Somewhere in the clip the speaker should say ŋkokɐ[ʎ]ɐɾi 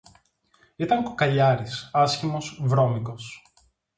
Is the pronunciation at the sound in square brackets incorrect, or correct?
correct